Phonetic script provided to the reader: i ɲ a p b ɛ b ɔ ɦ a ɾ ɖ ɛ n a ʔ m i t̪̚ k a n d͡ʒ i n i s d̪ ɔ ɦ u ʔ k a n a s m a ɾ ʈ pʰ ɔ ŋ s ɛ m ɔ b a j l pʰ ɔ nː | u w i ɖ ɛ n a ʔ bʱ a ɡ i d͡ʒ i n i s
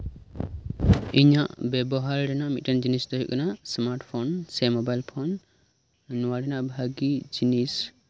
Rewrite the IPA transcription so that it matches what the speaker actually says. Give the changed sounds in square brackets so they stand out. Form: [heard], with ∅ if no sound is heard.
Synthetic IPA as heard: i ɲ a [ʔ] b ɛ b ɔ ɦ a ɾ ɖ ɛ n a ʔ m i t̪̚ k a n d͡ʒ i n i s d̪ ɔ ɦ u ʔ k a n a s m a ɾ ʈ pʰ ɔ [n] s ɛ m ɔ b a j l pʰ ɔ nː | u w [a] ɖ ɛ n a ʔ bʱ a ɡ i d͡ʒ i n i s